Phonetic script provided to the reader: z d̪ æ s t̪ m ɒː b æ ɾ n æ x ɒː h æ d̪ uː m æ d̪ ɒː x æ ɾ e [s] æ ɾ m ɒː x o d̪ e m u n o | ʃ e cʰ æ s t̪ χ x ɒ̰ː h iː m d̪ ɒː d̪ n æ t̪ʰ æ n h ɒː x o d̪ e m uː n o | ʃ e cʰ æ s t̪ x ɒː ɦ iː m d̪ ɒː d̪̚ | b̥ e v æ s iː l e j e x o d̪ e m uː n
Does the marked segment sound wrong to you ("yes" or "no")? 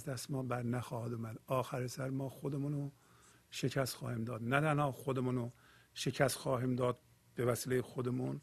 no